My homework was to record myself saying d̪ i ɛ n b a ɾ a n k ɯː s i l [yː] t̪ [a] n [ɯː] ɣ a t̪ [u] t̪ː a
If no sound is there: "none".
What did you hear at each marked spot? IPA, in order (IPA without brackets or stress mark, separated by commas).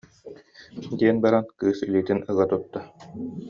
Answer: iː, i, ɯ, u